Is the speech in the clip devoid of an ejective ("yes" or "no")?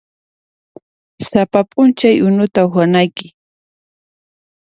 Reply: no